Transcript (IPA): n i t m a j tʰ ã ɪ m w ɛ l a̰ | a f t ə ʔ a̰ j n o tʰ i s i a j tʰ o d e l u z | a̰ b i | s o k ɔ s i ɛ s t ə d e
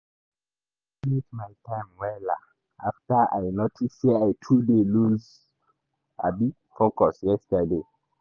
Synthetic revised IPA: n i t m a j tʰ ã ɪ m w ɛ l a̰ | a f t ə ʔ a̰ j n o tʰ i s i a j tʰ u d e l u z | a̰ b i | f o k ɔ s j ɛ s t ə d e

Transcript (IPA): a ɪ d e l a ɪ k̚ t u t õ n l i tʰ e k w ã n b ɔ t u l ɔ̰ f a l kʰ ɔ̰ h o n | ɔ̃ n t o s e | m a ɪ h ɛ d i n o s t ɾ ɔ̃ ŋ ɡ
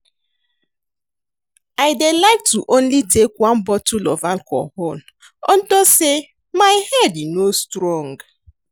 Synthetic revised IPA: a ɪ d e l a ɪ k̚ t u ʔ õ n l i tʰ e k w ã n b ɔ t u l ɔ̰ v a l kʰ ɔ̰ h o n | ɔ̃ n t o s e | m a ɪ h ɛ d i n o s t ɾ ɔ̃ ŋ ɡ

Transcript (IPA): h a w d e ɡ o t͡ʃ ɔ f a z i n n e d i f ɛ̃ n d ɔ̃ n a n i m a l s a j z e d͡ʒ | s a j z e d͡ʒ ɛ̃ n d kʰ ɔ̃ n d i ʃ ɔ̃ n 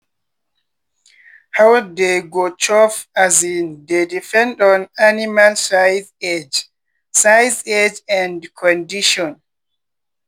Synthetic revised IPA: h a w d e ɡ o t͡ʃ ɔ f a z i n d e d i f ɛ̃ n d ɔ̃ n a n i m a l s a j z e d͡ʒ | s a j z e d͡ʒ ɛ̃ n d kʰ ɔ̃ n d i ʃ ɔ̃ n

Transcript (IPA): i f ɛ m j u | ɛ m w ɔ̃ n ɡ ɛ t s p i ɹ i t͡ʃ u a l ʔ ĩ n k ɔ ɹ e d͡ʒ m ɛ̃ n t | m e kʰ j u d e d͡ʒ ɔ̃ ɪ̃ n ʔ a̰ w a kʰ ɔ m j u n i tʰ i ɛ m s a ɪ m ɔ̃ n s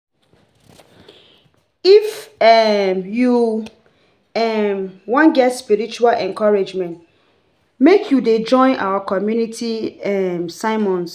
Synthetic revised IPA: i f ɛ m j u | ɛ m w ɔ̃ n ɡ ɛ t s p i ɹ i t͡ʃ u a l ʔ ɛ̃ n k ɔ ɹ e d͡ʒ m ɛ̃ n t | m e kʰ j u d e d͡ʒ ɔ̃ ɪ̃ n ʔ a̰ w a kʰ ɔ m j u n i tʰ i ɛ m s a ɪ m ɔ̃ n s

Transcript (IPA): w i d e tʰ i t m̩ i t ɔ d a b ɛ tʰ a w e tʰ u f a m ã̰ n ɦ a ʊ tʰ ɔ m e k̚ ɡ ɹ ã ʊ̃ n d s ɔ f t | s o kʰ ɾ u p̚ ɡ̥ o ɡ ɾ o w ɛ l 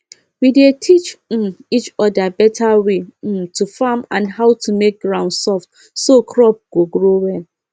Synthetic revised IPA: w i d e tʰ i t͡ʃ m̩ i t͡ʃ ɔ d a b ɛ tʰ a w e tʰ u f a m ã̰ n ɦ a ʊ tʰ u m e k̚ ɡ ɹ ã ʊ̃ n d s ɔ f t | s o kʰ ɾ ɔ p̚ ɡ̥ o ɡ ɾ o w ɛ l

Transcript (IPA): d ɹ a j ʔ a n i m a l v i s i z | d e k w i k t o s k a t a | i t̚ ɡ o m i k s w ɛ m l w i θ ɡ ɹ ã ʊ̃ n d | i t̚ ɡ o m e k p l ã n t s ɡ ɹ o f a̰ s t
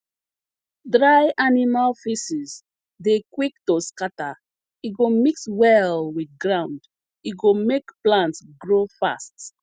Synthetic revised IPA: d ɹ a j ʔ a n i m a l f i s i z | d e k w i k t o s k a t a | i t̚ ɡ o m i k s w ɛ l w i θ ɡ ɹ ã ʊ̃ n d | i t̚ ɡ o m e k p l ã n t s ɡ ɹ o f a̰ s t

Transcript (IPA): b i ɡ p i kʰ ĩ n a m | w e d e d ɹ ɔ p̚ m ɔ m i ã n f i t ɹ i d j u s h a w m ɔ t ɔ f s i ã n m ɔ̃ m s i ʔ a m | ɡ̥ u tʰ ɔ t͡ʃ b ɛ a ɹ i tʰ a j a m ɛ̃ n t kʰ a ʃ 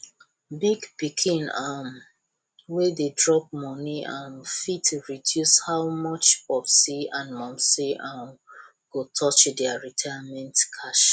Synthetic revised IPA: b i ɡ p i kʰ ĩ n a m | w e d e d ɹ ɔ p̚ m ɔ n i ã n f i t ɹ i d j u s h a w m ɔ t͡ʃ ɔ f s i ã n m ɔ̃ m s i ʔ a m | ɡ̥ o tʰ ɔ t͡ʃ d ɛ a ɹ i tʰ a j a m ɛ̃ n t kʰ a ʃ

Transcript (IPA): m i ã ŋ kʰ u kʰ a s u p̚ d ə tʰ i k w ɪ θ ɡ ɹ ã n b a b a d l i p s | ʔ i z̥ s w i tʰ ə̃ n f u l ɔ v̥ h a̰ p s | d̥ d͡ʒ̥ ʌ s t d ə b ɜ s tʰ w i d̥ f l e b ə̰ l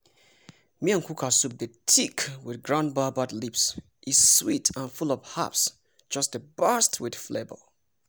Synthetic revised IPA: m i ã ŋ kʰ u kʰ a s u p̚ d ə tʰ i k w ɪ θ ɡ ɹ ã n b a b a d l i p s | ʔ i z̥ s w i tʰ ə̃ n f u l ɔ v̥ h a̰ p s | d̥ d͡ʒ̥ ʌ s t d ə b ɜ s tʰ w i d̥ f l e b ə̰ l

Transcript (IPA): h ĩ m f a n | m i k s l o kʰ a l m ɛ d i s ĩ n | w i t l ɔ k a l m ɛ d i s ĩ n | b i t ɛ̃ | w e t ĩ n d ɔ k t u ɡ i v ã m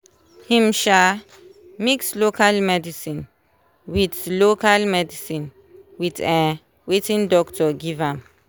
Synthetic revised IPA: h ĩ m ʃ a | m i k s l o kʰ a l m ɛ d i s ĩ n | w i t l o k a l m ɛ d i s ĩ n | w i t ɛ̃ | w e t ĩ n d ɔ k t ɔ ɡ i v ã m

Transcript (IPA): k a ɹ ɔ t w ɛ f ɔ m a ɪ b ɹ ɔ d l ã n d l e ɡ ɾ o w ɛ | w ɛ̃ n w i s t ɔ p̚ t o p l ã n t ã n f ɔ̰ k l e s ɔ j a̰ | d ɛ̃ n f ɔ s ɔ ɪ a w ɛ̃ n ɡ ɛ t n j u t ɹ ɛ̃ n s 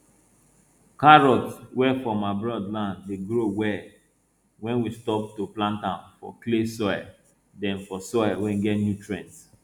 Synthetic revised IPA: k a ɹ ɔ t w ɛ f ɔ m a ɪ b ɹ ɔ d l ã n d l e ɡ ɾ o w ɛ | w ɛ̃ n w i s t ɔ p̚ t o p l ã n t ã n f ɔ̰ k l e s ɔ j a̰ | d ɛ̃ n f ɔ s ɔ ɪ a w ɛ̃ n ɡ ɛ t n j u t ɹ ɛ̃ n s

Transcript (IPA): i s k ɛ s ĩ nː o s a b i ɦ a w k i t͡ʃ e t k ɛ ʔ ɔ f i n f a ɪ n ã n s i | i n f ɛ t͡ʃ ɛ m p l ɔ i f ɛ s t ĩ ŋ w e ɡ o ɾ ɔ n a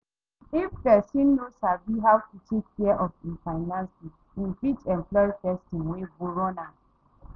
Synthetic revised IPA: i f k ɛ s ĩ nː o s a b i ɦ a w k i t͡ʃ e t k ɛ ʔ ɔ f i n f a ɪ n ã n s i | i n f i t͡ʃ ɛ m p l ɔ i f ɛ s t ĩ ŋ w e b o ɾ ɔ n a

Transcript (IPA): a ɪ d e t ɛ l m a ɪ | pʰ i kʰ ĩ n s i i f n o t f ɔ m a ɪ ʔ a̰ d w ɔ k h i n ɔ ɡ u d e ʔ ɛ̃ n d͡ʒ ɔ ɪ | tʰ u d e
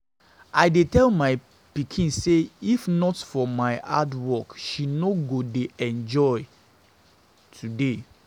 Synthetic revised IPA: a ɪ d e t ɛ l m a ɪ | p i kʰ ĩ n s e i f n ɔ t f ɔ m a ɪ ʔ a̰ d w ɔ k ʃ i n o ɡ o d e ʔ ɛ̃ n d͡ʒ ɔ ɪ | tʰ u d e

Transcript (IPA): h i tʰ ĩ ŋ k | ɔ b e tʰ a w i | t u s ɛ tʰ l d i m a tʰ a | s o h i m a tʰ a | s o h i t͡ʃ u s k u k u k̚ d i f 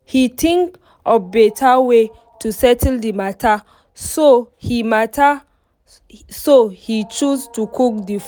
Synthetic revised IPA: h i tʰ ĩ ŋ k | ɔ b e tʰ a w e | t u s ɛ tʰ l d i m a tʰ a | s o h i m a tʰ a | s o h i t͡ʃ u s t u k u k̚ d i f

